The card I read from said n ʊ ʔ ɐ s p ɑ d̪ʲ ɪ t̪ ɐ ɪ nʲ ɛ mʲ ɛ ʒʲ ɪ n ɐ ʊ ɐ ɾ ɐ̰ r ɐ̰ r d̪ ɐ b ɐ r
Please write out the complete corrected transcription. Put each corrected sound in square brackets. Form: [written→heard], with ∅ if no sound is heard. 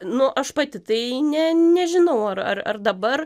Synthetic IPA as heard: n ʊ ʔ ɐ [s→ʃ] p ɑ [d̪ʲ→t̪ʲ] ɪ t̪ ɐ ɪ nʲ ɛ [mʲ→nʲ] ɛ ʒʲ ɪ n ɐ ʊ ɐ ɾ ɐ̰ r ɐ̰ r d̪ ɐ b ɐ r